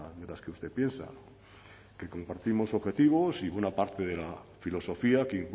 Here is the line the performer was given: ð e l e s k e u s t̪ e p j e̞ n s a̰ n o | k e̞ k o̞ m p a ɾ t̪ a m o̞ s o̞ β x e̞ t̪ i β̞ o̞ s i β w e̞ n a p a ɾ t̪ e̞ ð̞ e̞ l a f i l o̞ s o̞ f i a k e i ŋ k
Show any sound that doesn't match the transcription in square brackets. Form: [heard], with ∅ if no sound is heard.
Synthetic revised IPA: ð e l [a] s k e u s t̪ e p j e̞ n s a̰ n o | k e̞ k o̞ m p a ɾ t̪ [i] m o̞ s o̞ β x e̞ t̪ i β̞ o̞ s i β w e̞ n a p a ɾ t̪ e̞ ð̞ e̞ l a f i l o̞ s o̞ f i a k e i ŋ k